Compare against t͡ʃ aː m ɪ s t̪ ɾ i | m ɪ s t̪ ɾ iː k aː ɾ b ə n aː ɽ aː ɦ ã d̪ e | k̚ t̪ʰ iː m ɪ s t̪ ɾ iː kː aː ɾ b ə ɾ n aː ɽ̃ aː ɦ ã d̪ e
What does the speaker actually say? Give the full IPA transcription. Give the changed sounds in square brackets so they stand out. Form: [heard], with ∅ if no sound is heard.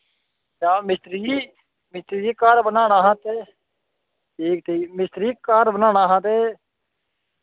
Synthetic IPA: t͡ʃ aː m ɪ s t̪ ɾ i | m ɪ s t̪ ɾ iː k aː ɾ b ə n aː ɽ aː ɦ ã [t̪] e | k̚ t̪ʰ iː m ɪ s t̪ ɾ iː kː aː ɾ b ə [∅] n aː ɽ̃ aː ɦ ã [t̪] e